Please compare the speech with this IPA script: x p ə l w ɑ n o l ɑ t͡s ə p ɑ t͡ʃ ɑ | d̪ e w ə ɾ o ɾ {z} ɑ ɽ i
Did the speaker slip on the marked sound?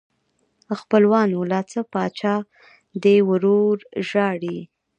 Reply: yes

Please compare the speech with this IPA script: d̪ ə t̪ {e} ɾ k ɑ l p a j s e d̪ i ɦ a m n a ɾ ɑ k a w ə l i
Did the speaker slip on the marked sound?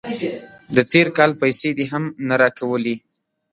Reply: no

